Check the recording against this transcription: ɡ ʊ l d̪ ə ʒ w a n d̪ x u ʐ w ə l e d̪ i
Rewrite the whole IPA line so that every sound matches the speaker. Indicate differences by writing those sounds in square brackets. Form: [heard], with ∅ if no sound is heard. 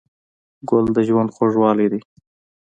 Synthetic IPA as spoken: ɡ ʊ l d̪ ə ʒ w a n d̪ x [o] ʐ w [ɑ] l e d̪ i

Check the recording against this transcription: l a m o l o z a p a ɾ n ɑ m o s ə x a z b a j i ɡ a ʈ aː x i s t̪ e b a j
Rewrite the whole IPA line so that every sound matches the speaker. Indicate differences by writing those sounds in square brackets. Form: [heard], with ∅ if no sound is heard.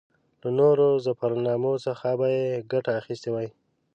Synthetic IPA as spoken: l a [n] o [ɾ] o z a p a ɾ n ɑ m o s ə x a [∅] b a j [e] ɡ a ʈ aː x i s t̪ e [w] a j

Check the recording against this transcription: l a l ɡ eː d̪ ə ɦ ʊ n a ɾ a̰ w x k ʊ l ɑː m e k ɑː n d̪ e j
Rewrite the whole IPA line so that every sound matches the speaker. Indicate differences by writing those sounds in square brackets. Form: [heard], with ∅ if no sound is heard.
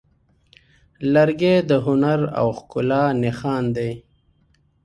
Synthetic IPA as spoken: l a [ɾ] ɡ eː d̪ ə ɦ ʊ n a ɾ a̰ w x k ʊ l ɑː [n] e [x] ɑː n d̪ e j

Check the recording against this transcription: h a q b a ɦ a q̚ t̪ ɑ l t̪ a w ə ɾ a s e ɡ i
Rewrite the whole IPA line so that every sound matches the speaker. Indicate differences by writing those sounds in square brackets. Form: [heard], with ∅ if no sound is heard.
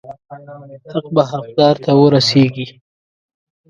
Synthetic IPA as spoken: h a q b a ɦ a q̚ [d̪] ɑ [ɾ] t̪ a w ə ɾ a s e ɡ i

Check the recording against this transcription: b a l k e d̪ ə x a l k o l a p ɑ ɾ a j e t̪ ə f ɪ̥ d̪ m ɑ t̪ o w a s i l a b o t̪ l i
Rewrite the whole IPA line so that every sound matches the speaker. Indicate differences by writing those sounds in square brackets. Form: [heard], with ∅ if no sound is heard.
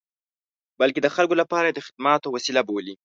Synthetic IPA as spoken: b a l k e d̪ ə x a l k o l a p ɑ ɾ a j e [d̪] ə [x] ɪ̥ d̪ m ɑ t̪ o w a s i l a b o [∅] l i

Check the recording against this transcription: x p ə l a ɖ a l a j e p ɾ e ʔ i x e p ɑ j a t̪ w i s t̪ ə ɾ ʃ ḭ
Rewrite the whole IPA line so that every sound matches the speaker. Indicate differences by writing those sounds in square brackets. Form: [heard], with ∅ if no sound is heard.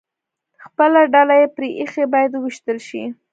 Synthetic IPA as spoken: x p ə l a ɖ a l a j e p ɾ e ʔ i x e [b] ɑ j a [d̪] w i [ʃ] t̪ ə [l] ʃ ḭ

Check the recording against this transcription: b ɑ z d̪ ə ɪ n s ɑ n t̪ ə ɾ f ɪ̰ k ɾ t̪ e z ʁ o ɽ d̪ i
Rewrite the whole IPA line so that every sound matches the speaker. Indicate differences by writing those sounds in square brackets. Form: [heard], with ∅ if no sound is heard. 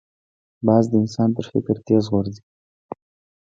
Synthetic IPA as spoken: b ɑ z d̪ ə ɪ n s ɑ n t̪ ə ɾ f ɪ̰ k ɾ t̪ e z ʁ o [ɾ] d̪ i

